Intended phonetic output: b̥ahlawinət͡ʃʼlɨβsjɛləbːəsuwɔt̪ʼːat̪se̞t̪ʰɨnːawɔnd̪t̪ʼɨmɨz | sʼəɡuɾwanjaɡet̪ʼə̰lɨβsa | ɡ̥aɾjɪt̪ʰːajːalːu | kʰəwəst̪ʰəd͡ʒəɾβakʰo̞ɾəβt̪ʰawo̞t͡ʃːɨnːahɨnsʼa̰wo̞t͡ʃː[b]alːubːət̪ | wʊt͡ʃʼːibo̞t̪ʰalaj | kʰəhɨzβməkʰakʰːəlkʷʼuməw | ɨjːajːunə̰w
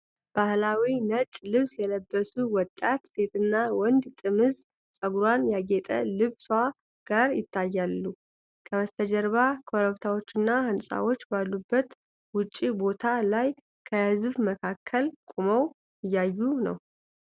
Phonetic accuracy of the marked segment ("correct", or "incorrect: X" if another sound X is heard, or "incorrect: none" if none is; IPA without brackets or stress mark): correct